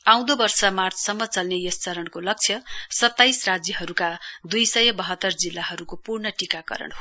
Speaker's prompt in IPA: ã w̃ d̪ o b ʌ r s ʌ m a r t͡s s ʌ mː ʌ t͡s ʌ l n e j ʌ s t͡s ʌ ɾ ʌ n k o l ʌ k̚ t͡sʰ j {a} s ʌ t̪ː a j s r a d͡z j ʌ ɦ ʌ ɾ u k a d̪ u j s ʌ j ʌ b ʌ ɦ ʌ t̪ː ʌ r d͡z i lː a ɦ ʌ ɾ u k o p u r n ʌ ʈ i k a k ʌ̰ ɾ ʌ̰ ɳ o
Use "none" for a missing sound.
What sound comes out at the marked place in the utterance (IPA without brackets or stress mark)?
ʌ